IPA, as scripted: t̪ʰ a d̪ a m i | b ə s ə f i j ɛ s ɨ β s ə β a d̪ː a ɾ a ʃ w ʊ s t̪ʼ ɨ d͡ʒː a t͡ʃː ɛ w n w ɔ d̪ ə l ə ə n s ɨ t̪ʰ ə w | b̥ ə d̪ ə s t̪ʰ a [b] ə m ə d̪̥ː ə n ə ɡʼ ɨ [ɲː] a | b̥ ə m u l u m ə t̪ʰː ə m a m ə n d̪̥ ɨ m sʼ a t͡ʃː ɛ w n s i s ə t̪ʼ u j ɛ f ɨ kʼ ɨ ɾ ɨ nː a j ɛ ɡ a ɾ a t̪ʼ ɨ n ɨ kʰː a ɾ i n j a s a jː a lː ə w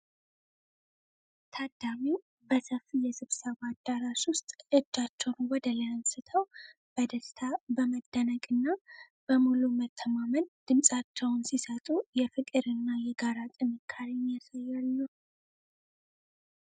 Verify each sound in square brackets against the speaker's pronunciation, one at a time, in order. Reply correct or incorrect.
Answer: correct, incorrect

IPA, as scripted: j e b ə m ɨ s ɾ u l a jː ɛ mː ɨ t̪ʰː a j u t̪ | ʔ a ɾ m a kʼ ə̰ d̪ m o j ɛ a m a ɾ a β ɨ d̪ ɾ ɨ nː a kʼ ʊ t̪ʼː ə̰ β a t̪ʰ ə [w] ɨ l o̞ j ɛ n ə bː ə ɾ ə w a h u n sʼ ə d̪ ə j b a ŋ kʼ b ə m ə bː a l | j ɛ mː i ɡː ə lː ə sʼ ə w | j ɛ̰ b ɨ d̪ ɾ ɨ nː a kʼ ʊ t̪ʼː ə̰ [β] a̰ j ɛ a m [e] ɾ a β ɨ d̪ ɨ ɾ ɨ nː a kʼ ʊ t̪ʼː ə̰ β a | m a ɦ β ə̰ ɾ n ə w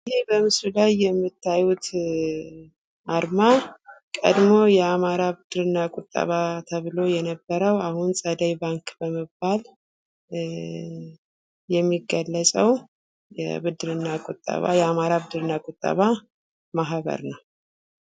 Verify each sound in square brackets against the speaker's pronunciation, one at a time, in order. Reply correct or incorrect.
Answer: incorrect, correct, incorrect

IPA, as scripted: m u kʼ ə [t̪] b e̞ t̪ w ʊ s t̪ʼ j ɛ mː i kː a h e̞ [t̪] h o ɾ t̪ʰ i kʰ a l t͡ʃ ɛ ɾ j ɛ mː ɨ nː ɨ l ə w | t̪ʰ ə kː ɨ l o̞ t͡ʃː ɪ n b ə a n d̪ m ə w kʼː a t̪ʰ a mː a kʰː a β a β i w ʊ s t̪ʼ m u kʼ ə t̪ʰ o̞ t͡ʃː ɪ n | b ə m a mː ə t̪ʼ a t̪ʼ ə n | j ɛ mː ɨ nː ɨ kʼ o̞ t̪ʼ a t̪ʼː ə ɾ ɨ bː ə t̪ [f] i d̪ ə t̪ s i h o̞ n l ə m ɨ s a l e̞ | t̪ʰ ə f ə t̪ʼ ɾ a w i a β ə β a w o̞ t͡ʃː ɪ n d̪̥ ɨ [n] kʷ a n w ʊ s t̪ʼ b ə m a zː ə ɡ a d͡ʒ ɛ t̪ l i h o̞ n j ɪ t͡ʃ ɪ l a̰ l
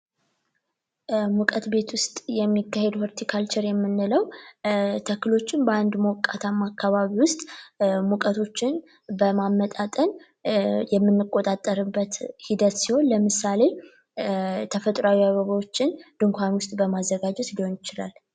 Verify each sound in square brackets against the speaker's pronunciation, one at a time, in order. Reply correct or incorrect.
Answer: correct, incorrect, incorrect, incorrect

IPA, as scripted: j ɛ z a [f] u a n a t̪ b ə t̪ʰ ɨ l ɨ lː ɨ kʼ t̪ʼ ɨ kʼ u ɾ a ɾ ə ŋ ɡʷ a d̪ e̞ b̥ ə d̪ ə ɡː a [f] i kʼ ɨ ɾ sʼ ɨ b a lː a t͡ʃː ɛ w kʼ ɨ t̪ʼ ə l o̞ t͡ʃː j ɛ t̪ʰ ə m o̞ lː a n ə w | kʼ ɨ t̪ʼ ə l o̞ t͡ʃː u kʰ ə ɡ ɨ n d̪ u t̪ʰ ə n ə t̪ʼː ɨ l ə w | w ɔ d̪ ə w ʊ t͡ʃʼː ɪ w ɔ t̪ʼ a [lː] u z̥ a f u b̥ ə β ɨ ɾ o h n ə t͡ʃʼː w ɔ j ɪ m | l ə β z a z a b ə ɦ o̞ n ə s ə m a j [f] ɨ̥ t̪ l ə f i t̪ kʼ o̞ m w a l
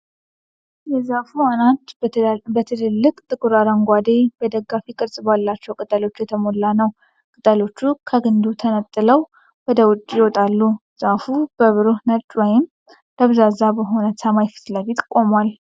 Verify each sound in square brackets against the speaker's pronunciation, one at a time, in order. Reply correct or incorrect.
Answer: correct, correct, correct, correct

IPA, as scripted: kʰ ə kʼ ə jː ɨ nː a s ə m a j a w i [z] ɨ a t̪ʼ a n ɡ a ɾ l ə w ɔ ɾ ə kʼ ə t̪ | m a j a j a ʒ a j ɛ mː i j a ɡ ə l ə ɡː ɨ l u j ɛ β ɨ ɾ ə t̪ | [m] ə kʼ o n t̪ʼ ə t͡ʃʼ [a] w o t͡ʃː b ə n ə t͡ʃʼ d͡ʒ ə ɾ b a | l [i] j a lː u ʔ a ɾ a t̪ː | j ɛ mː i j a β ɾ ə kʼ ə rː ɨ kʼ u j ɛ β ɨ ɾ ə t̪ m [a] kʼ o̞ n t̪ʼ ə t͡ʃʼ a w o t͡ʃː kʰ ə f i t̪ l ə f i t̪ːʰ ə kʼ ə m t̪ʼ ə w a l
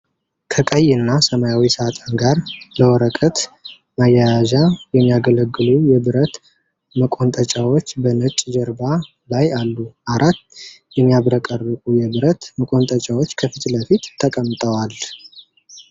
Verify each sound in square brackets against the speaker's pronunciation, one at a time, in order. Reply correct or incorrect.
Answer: incorrect, correct, correct, incorrect, incorrect

